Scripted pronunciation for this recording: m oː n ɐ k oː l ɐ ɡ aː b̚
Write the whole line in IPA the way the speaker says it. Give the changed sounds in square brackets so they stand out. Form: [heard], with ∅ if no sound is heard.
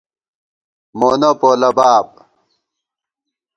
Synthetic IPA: m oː n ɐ [p] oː l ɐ [b] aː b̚